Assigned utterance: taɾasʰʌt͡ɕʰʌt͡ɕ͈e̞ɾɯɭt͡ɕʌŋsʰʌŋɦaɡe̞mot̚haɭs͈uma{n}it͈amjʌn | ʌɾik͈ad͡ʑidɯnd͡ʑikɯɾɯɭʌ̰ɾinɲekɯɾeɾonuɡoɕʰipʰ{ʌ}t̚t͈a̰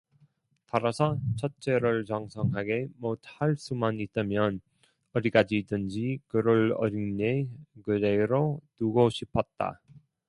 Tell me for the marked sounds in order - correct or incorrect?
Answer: correct, correct

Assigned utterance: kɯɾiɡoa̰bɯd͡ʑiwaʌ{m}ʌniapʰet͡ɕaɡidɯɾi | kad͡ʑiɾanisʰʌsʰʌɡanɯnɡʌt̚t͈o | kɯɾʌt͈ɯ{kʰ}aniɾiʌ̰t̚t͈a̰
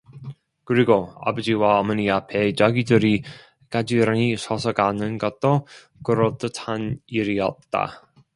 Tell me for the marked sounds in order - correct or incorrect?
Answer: correct, incorrect: tʰ

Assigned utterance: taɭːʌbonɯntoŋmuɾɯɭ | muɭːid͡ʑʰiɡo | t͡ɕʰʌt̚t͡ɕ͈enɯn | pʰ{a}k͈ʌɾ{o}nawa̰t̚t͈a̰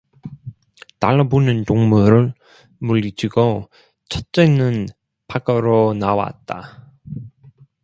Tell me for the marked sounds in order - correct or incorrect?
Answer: correct, correct

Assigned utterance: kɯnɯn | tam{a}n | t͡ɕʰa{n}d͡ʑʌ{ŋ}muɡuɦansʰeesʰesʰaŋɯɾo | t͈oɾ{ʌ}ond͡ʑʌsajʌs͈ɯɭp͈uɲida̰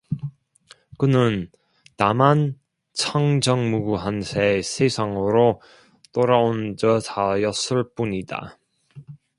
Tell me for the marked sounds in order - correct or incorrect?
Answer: correct, incorrect: ŋ, correct, incorrect: a

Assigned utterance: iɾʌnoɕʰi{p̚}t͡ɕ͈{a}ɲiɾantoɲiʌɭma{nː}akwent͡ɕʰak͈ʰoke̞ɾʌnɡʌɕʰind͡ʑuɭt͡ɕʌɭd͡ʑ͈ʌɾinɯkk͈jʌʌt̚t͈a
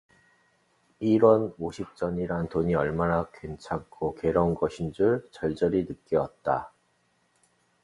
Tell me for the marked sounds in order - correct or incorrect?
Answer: correct, incorrect: ʌ, incorrect: n

